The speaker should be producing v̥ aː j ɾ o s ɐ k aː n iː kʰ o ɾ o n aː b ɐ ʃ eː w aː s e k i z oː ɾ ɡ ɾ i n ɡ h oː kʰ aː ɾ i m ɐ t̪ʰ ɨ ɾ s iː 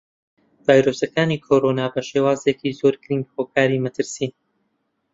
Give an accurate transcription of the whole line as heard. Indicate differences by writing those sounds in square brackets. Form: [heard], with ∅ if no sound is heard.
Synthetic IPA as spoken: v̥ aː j ɾ o s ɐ k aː n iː kʰ o ɾ o n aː b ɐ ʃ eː w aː [z] e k i z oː ɾ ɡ ɾ i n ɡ h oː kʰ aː ɾ i m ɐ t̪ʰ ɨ ɾ s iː